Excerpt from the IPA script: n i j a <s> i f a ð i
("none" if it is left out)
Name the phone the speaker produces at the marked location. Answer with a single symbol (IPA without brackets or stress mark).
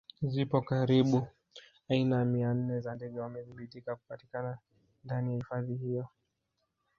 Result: h